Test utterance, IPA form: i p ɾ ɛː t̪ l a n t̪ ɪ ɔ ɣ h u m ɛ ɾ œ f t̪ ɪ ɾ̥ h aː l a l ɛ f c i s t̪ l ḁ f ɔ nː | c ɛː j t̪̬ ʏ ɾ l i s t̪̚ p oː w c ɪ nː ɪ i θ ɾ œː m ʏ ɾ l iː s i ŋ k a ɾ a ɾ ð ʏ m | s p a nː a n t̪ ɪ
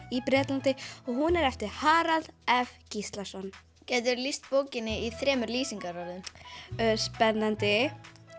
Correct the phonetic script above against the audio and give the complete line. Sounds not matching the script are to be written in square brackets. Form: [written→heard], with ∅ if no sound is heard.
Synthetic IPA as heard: i p ɾ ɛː t̪ l a n t̪ ɪ ɔ ɣ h u [m→n] ɛ ɾ [œ→ɛ] f t̪ ɪ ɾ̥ h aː [l→ɾ] a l ɛ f c i s t̪ l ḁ [f→s] ɔ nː | c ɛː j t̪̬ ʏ ɾ l i s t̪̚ p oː w c ɪ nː ɪ i θ ɾ [œː→ɛː] m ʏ ɾ l iː s i ŋ k a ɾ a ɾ ð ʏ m | s p [a→ɛ] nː a n t̪ ɪ